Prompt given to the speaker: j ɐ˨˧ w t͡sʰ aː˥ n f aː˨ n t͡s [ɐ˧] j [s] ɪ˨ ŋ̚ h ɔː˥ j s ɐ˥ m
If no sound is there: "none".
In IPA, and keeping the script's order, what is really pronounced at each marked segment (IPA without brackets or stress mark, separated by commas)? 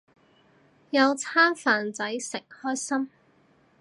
ɐ˨˥, s